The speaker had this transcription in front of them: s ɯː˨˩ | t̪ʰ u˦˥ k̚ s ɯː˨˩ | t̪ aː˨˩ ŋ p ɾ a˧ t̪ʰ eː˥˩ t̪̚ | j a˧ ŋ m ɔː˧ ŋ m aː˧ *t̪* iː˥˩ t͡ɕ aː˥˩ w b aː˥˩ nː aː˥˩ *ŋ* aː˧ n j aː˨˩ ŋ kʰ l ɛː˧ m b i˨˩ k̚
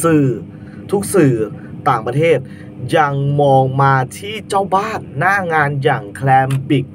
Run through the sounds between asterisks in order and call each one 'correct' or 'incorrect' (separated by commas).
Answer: incorrect, correct